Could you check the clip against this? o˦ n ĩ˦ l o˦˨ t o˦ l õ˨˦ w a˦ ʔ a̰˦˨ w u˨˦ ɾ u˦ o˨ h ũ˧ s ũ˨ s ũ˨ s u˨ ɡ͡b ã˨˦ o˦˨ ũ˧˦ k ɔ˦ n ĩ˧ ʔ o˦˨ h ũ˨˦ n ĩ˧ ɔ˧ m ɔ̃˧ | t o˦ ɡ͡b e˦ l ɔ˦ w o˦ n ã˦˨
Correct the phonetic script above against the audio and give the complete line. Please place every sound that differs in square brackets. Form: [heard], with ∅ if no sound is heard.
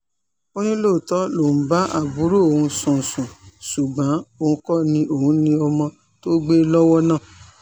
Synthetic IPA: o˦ n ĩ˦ l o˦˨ t [ɔ˦] l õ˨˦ [b] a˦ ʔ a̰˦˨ [b] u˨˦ ɾ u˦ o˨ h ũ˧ s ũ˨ s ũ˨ s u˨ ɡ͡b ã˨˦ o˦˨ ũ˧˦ k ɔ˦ n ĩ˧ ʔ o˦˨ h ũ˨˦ n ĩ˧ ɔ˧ m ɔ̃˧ | t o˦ ɡ͡b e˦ l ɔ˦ w [ɔ˦] n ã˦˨